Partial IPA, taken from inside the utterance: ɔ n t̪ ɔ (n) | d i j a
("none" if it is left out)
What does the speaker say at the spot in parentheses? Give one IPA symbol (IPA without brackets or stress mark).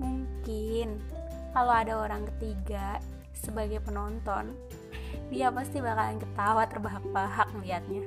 n